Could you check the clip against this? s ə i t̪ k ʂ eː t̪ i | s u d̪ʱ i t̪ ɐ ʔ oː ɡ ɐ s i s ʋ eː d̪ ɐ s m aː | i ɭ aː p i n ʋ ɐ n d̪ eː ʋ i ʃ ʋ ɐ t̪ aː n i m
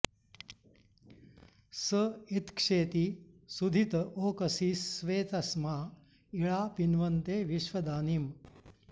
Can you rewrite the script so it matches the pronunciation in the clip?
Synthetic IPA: s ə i t̪ k ʂ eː t̪ i | s u d̪ʱ i t̪ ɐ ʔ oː k ɐ s i s ʋ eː t̪ ɐ s m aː | i ɭ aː p i n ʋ ɐ n t̪ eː ʋ i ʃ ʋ ɐ d̪ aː n i m